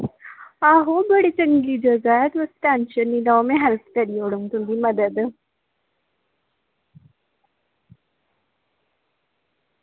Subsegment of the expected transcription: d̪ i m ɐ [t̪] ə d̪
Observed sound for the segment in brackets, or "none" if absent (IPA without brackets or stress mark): d̪